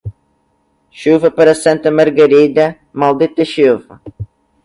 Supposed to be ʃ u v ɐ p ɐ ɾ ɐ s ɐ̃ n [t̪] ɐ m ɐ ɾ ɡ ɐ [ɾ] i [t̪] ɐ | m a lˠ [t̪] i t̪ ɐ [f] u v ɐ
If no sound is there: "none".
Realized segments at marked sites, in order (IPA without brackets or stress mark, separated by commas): t̪, ɾ, d̪, d̪, ʃ